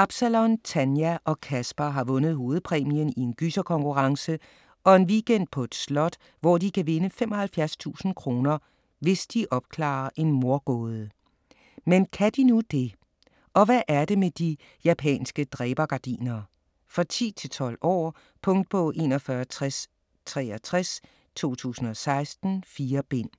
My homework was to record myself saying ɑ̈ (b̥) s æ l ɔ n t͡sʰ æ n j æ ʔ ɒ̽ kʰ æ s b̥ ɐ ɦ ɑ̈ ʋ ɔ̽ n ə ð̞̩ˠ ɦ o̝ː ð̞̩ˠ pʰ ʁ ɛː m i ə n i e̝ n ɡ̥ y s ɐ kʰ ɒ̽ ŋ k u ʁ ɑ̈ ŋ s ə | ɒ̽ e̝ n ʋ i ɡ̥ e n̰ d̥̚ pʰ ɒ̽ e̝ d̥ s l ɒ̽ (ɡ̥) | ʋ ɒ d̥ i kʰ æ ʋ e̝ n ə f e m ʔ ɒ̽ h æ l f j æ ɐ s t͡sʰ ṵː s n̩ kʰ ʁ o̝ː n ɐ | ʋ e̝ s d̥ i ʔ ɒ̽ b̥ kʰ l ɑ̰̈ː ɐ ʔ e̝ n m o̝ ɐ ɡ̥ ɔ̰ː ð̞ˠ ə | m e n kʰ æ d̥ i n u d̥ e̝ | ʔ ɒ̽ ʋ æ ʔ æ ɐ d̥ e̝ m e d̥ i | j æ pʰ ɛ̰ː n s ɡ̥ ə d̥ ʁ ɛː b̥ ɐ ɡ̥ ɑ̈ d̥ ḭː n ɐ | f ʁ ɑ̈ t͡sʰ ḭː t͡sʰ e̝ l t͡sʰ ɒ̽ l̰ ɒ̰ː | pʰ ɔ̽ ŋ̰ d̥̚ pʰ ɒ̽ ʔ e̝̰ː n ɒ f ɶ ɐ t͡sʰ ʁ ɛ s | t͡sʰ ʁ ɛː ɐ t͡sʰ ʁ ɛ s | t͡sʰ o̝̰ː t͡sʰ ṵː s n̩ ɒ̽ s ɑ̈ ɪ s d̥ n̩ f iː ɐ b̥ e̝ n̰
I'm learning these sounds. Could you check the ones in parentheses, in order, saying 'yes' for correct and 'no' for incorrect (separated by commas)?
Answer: yes, no